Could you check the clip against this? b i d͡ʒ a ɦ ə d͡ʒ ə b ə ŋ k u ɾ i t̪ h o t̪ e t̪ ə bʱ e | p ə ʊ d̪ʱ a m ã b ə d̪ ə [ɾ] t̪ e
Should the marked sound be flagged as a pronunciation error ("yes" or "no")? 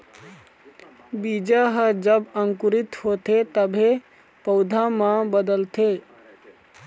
yes